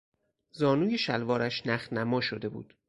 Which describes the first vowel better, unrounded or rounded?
rounded